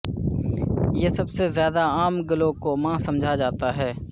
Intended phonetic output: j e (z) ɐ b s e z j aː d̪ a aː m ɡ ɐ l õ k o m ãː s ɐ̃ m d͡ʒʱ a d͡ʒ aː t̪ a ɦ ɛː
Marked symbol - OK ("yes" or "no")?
no